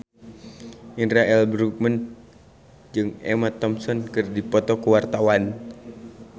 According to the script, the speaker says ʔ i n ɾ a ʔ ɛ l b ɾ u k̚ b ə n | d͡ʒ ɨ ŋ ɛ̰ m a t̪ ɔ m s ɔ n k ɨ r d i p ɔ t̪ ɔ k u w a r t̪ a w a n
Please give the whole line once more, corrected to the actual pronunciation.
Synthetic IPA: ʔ i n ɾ a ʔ ɛ l b ɾ u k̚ m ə n | d͡ʒ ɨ ŋ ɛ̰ m a t̪ ɔ m s ɔ n k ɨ r d i p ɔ t̪ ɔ k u w a r t̪ a w a n